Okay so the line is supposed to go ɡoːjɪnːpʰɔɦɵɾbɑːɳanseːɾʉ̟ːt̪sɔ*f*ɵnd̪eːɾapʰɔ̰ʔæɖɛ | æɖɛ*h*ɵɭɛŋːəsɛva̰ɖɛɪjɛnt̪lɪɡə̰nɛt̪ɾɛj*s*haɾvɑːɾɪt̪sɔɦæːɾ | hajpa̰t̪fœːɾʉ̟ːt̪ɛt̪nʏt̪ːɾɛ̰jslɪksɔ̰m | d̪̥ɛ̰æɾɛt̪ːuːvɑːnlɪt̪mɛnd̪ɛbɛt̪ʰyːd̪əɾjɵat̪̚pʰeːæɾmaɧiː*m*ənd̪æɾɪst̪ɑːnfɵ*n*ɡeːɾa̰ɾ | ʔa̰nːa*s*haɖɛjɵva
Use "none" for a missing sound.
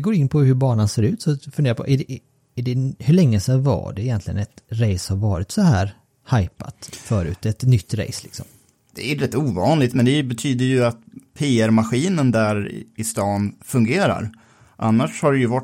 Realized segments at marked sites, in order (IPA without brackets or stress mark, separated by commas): f, h, s, n, ŋ, ʂ